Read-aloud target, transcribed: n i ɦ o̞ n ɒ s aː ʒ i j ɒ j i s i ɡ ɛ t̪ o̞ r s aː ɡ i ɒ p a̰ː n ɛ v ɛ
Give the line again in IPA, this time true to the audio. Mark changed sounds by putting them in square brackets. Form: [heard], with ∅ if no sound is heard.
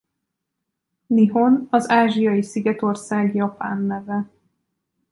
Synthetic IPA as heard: n i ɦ o̞ n ɒ [z] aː ʒ i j ɒ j i s i ɡ ɛ t̪ o̞ r s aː ɡ [j] ɒ p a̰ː [nː] ɛ v ɛ